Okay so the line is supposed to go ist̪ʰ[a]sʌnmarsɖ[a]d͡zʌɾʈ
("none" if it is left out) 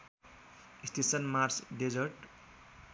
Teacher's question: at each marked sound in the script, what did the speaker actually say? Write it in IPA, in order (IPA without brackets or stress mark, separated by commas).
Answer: e, e